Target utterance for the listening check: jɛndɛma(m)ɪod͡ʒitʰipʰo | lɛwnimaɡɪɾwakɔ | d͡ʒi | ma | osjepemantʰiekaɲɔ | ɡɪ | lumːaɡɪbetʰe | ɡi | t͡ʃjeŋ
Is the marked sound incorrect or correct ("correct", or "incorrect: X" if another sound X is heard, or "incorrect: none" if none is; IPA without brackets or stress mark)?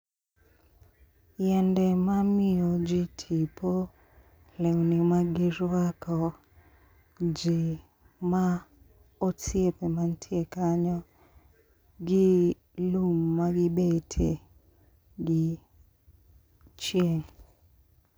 correct